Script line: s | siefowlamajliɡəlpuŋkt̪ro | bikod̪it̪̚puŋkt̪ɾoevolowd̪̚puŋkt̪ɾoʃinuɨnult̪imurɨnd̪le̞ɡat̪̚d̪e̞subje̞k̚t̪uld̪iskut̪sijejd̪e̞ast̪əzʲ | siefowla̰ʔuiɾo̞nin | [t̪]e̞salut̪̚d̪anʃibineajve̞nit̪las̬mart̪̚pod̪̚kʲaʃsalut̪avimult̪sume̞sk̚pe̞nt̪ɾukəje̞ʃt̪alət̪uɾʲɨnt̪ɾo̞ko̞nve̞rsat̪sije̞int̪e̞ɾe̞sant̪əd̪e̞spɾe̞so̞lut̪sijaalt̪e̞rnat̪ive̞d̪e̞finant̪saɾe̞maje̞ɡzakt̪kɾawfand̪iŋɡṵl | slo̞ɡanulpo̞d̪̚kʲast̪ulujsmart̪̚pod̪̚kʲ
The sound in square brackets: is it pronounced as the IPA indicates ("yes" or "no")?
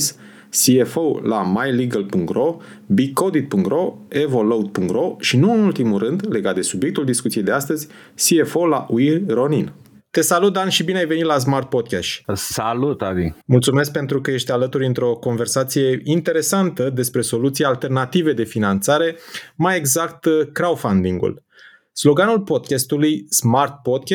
yes